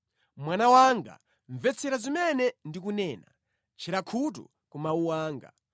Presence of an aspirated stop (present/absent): present